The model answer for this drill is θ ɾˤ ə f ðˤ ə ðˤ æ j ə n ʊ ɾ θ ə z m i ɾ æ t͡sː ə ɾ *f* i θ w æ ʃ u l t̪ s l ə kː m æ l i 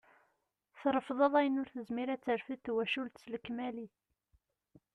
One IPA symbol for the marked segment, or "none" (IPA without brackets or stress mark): f